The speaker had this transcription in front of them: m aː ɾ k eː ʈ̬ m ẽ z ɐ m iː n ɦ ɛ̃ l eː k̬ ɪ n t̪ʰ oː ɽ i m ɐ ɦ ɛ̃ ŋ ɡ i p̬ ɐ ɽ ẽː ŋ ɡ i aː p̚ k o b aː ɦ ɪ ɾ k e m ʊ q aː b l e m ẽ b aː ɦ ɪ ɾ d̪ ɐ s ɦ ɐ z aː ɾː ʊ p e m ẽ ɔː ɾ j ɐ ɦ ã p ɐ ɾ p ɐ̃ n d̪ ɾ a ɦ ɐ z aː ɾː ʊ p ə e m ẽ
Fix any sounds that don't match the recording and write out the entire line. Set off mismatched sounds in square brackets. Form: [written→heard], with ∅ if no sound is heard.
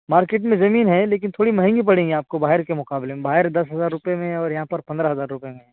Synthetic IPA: m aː ɾ k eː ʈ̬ m ẽ z ɐ m iː n ɦ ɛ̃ l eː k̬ ɪ n t̪ʰ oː ɽ i m ɐ ɦ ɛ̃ ŋ ɡ i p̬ ɐ ɽ ẽː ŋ ɡ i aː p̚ k o b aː ɦ ɪ ɾ k e m ʊ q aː b l e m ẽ b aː ɦ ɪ ɾ d̪ ɐ s ɦ ɐ z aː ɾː ʊ p e m ẽ ɔː ɾ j ɐ ɦ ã p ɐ ɾ p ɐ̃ n d̪ ɾ a ɦ ɐ z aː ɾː ʊ p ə e m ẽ